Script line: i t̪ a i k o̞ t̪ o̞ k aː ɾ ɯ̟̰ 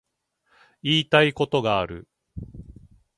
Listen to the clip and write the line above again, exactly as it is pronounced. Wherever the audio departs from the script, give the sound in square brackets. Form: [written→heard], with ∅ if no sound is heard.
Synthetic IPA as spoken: [i→iː] t̪ a i k o̞ t̪ o̞ [k→ɡ] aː ɾ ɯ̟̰